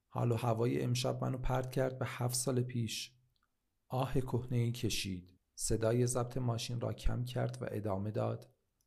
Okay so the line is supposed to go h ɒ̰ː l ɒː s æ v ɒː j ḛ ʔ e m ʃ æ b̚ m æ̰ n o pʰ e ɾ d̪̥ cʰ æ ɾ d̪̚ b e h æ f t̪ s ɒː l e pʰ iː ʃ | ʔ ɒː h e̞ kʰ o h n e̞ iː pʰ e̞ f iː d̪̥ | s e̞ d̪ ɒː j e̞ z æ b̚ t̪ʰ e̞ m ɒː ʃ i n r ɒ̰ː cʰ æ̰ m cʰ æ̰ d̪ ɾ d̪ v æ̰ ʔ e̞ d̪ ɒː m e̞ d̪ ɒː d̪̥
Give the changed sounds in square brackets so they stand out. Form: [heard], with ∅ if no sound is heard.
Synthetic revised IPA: h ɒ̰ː l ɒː [h] æ v ɒː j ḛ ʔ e m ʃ æ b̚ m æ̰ n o pʰ [æ] ɾ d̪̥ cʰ æ ɾ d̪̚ b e h æ f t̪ s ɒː l e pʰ iː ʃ | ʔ ɒː h e̞ kʰ o h n e̞ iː [cʰ] e̞ [ʃ] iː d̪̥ | s e̞ d̪ ɒː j e̞ z æ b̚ t̪ʰ e̞ m ɒː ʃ i n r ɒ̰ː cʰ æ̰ m cʰ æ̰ [∅] ɾ d̪ v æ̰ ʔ e̞ d̪ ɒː m e̞ d̪ ɒː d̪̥